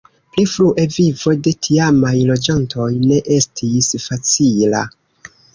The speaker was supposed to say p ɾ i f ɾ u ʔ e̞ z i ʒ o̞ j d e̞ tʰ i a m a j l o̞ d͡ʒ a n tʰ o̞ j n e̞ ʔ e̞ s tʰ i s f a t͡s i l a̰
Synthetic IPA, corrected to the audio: p l i f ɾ u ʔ e̞ v i v o̞ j d e̞ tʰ i a m a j l o̞ d͡ʒ a n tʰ o̞ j n e̞ ʔ e̞ s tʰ i s f a t͡s i l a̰